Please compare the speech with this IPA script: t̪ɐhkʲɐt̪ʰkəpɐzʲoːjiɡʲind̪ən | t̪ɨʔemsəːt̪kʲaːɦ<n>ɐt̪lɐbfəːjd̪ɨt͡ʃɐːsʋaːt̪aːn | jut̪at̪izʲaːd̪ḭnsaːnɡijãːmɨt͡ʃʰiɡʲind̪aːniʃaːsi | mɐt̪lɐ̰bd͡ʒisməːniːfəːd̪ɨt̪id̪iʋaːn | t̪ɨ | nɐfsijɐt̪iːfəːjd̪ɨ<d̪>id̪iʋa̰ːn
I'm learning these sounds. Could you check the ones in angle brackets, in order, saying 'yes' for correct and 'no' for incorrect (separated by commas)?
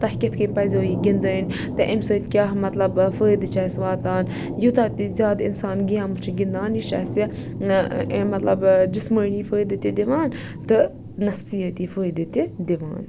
no, no